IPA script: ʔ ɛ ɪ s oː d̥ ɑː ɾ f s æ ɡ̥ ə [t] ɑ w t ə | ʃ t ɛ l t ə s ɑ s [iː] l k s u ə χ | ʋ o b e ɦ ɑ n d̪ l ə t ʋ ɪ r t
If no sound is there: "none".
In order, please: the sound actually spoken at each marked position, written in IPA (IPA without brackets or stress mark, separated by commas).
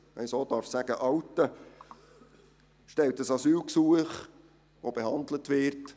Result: ʔ, yː